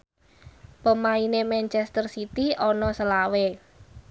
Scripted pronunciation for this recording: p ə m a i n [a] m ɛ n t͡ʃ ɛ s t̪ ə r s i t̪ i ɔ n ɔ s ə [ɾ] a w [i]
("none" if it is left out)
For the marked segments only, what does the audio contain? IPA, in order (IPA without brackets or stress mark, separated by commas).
e, l, e